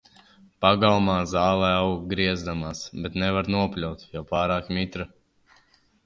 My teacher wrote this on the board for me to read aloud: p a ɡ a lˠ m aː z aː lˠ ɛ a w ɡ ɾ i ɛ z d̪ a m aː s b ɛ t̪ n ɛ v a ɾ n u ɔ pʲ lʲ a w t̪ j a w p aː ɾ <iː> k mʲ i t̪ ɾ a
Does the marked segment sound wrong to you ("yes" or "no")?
yes